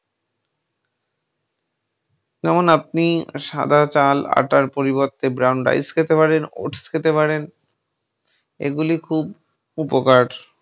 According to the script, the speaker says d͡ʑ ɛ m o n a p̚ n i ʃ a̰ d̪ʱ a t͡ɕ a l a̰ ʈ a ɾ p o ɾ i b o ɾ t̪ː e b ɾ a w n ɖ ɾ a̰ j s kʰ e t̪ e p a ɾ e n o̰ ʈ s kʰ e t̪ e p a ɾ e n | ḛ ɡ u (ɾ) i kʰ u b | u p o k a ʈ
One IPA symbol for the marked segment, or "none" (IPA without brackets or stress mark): l